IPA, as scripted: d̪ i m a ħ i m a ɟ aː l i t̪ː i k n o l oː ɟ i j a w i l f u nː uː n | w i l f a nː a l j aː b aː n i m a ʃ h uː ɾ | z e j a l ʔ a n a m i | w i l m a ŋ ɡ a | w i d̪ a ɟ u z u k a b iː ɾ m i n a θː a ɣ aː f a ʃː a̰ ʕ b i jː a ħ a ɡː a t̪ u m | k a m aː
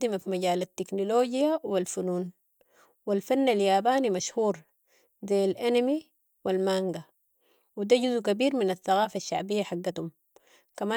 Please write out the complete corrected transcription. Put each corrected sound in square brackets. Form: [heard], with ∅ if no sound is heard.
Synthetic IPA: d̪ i m a [f] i m a ɟ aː l [a] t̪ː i k n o l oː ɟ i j a w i l f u [n] uː n | w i l f a nː a l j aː b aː n i m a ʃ h uː ɾ | z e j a l ʔ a n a m i | w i l m a ŋ ɡ a | w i d̪ a ɟ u z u k a b iː ɾ m i n a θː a ɣ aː f a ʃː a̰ ʕ b i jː a ħ a ɡː a t̪ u m | k a m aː

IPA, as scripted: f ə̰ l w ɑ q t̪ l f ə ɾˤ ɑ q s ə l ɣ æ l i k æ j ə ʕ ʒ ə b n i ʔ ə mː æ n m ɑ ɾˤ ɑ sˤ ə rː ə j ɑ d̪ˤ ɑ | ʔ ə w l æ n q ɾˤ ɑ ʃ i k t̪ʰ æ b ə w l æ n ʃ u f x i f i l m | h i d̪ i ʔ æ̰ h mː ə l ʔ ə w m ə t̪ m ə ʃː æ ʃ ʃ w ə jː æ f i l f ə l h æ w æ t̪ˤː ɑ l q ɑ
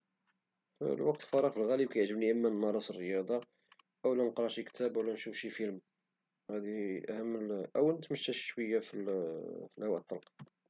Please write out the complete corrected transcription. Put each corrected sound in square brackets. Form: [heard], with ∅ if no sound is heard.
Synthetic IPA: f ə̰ l w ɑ q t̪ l f [ɑ] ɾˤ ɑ q [f] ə l ɣ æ l i k æ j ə ʕ ʒ ə b n i ʔ ə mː æ n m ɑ ɾˤ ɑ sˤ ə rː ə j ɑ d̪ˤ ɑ | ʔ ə w l æ n q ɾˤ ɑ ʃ i k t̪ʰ æ b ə w l æ n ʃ u f [ʃ] i f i l m | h [æ] d̪ i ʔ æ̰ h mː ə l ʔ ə w [n] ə t̪ m ə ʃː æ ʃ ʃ w ə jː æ f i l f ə l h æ w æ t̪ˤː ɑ l q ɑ

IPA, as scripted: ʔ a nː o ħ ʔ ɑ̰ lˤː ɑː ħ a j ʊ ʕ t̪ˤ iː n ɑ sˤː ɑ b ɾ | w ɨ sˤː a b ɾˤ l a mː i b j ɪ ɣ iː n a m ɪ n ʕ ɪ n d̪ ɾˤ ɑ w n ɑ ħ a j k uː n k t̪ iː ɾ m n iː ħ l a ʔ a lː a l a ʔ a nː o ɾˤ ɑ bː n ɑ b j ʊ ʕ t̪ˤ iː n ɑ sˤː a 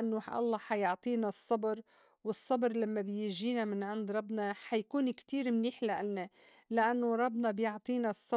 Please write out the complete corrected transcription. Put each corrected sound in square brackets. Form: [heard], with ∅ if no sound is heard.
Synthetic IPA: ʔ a nː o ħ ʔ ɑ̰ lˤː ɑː ħ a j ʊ ʕ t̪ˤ iː n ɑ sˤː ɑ b ɾ | w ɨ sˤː [ɑ] b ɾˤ l a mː [a] b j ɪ [ʒ] iː n a m ɪ n ʕ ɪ n d̪ ɾˤ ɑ [b] n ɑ ħ a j k uː n k t̪ iː ɾ m n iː ħ l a ʔ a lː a l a ʔ a nː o ɾˤ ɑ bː n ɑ b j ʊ ʕ t̪ˤ iː n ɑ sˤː [ɑ]

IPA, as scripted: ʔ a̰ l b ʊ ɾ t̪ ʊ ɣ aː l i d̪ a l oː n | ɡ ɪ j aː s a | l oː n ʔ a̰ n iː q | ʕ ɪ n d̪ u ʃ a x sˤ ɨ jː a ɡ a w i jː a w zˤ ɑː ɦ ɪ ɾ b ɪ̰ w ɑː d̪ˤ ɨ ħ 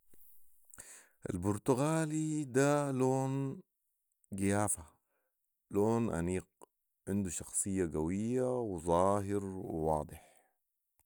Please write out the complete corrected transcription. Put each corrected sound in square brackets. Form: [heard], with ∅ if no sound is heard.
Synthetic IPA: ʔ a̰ l b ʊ ɾ t̪ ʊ ɣ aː l i d̪ a l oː n | ɡ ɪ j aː [f] a | l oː n ʔ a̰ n iː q | ʕ ɪ n d̪ u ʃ [ɑ] x sˤ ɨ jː a ɡ a w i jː a w zˤ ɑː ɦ ɪ ɾ [w] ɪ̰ w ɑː d̪ˤ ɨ ħ

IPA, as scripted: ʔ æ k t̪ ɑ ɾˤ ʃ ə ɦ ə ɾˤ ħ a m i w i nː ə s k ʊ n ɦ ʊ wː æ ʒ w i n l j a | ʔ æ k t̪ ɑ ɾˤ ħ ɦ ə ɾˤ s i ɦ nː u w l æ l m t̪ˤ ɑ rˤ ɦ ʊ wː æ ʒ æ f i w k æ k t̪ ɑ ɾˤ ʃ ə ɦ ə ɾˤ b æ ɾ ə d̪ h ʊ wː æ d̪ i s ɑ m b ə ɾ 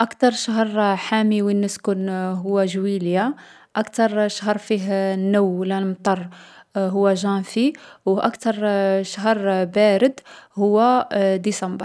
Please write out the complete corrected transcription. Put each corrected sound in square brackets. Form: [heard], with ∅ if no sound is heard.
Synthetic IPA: ʔ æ k t̪ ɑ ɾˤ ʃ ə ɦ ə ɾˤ ħ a m i w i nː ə s k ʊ n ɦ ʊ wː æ ʒ w i [∅] l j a | ʔ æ k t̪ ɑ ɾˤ [ʃ] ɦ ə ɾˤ [f] i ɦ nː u w l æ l m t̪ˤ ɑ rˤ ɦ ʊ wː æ ʒ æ f i w [ʔ] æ k t̪ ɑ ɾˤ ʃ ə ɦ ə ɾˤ b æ ɾ ə d̪ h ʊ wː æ d̪ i s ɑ m b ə ɾ

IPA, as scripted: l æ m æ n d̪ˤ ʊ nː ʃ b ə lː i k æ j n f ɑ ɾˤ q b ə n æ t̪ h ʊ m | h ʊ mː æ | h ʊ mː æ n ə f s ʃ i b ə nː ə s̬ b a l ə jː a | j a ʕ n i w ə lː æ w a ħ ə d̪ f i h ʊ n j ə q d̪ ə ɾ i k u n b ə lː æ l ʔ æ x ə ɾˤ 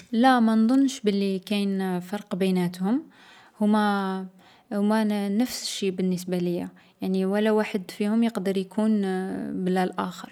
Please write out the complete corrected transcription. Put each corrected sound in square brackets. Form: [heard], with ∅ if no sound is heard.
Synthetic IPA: l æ m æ n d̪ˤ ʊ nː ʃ b ə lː i k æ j n f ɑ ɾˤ q b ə n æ t̪ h ʊ m | h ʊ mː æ | h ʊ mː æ n ə f s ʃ i b ə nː ə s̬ b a l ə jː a | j a ʕ n i w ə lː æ w a ħ ə d̪ f i h ʊ [m] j ə q d̪ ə ɾ [j] k u n b ə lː æ l ʔ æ x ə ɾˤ

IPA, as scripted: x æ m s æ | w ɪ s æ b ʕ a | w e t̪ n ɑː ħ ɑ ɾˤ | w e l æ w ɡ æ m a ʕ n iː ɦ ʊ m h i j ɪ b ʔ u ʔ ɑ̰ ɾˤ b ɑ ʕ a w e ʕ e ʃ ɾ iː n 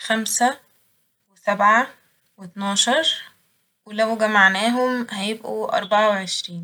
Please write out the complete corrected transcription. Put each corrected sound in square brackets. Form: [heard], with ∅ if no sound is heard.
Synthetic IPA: x æ m s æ | w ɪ s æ b ʕ a | w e t̪ n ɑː [ʃ] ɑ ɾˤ | w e l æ w ɡ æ m a ʕ n [æː] ɦ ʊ m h [æ] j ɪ b ʔ u ʔ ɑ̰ ɾˤ b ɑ ʕ a w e ʕ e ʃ ɾ iː n

